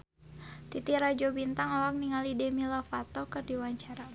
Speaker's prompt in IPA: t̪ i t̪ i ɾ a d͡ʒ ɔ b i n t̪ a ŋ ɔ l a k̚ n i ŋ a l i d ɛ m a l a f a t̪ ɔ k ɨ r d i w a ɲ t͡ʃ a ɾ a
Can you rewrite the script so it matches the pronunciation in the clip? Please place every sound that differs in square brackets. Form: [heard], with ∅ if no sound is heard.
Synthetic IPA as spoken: t̪ i t̪ i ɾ a d͡ʒ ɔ b i n t̪ a ŋ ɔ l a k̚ n i ŋ a l i d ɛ m [i] l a f a t̪ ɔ k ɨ r d i w a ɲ t͡ʃ a ɾ a